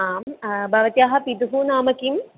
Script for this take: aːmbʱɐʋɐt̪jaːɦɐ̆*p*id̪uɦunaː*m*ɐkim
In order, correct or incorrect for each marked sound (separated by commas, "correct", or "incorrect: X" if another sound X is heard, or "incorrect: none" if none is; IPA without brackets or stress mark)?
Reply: correct, correct